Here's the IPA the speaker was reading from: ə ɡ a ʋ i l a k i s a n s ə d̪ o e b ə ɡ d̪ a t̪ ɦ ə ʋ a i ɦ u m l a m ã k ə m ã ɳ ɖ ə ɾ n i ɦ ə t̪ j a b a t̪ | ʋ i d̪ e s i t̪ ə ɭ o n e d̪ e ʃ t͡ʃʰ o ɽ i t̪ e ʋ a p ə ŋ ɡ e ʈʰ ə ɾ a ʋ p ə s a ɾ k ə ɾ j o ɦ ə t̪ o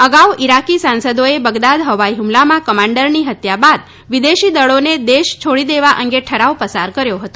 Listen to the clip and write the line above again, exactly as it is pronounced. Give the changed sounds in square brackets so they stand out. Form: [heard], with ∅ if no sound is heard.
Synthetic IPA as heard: ə ɡ a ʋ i [ɾ] a k i s a n s ə d̪ o e b ə ɡ d̪ a [d̪] ɦ ə ʋ a i ɦ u m l a m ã k ə m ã ɳ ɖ ə ɾ n i ɦ ə t̪ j a b a [d̪] | ʋ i d̪ e [ʃ] i [d̪] ə ɭ o n e d̪ e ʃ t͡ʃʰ o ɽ i [d̪] e ʋ a [ʔ] ə ŋ ɡ e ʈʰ ə ɾ a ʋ p ə s a ɾ k ə ɾ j o ɦ ə t̪ o